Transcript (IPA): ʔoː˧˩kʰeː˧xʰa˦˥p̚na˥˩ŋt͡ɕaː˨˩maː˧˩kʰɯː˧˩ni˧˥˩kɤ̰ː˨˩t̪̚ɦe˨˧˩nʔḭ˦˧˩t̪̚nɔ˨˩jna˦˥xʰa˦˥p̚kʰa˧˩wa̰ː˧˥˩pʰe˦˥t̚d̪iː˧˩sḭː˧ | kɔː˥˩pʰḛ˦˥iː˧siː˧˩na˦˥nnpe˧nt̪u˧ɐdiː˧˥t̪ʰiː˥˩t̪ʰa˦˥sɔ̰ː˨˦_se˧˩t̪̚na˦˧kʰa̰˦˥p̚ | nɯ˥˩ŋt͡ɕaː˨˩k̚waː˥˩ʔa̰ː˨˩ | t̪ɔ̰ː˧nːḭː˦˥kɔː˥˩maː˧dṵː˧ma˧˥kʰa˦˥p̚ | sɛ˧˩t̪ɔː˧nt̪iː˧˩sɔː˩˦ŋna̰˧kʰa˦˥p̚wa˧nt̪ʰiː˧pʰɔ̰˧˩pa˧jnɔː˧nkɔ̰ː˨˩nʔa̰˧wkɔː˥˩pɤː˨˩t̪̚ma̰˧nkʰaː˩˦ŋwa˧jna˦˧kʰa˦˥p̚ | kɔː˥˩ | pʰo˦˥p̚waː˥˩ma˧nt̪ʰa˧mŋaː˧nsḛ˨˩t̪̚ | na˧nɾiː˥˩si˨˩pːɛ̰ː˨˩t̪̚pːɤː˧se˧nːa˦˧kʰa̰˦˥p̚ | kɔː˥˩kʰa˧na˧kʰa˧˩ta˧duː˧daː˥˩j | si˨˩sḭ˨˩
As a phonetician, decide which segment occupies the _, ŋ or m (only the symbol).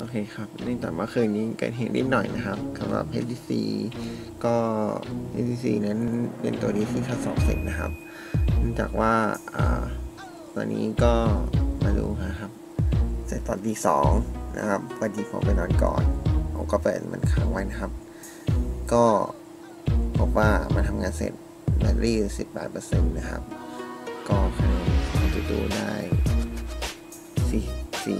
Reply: ŋ